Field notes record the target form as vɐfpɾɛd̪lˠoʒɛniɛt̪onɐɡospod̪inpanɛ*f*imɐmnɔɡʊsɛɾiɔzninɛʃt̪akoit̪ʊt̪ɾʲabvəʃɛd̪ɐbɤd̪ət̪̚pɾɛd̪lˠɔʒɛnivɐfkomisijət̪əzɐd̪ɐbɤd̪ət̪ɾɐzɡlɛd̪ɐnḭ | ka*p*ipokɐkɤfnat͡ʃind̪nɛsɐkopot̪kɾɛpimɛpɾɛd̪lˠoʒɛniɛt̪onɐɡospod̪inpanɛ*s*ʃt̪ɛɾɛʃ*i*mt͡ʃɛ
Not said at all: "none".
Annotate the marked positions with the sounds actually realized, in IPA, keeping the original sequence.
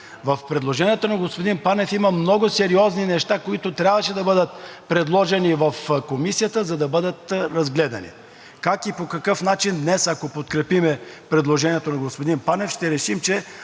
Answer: f, k, f, i

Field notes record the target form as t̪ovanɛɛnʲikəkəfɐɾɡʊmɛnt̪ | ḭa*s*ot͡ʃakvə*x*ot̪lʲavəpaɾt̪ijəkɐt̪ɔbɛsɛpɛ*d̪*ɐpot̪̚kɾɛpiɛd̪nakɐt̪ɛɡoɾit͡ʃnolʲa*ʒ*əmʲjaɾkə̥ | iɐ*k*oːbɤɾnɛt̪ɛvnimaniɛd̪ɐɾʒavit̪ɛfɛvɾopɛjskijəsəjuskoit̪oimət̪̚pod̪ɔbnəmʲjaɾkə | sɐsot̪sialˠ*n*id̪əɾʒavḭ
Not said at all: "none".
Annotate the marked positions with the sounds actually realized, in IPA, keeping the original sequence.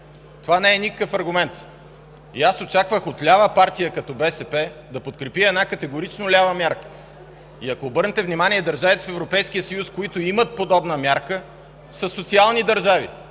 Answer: s, x, d̪, v, k, n

